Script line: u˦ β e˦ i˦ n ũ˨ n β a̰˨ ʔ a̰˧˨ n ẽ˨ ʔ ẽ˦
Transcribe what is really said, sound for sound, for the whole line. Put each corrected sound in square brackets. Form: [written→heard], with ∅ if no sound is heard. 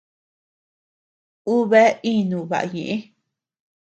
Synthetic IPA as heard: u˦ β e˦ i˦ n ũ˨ [n→∅] β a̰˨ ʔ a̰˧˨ [n→ɲ] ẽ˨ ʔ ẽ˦